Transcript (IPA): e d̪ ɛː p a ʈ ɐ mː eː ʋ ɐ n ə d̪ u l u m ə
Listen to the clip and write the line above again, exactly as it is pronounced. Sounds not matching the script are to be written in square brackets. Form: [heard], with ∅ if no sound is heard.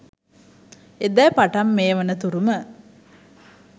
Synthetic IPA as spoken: e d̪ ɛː p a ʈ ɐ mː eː ʋ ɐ n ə [t̪] u [ɾ] u m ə